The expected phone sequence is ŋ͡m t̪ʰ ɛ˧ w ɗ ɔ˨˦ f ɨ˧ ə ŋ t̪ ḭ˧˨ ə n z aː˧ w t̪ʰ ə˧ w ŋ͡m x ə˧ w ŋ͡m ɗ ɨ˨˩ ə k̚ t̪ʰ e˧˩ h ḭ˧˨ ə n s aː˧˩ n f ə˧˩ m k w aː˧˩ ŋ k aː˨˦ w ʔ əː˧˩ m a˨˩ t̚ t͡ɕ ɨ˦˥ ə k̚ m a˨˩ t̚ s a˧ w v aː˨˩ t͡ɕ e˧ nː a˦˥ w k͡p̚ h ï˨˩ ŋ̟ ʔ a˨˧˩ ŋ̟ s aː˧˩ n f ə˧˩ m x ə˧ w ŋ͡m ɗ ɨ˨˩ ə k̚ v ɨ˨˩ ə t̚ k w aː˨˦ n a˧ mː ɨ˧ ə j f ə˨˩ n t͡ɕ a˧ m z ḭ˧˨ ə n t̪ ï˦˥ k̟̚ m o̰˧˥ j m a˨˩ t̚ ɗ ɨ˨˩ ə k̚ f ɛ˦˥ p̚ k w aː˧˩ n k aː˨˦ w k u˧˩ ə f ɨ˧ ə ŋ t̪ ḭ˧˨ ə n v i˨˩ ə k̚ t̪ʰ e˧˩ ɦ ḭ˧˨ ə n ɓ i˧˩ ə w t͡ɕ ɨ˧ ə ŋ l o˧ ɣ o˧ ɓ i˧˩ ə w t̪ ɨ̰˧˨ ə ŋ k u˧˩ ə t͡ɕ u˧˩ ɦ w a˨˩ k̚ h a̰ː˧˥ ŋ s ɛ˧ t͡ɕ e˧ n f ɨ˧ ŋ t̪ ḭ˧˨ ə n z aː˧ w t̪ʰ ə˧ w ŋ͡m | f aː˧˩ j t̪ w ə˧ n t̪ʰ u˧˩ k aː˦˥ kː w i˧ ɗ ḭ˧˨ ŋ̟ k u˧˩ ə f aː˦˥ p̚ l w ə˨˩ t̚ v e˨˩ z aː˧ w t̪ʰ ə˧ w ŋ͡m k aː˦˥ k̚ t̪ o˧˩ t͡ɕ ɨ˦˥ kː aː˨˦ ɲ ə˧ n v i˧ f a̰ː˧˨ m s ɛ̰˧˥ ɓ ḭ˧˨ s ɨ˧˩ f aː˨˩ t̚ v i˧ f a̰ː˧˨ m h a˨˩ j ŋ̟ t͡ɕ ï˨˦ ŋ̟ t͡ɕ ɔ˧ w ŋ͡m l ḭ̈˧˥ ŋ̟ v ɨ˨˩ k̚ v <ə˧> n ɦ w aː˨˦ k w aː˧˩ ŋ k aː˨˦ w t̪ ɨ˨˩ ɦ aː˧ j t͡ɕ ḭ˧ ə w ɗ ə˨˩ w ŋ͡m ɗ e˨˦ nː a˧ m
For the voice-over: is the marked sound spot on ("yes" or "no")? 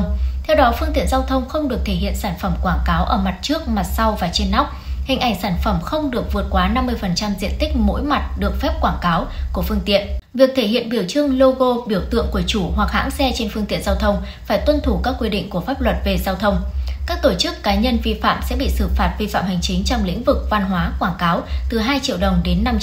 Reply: no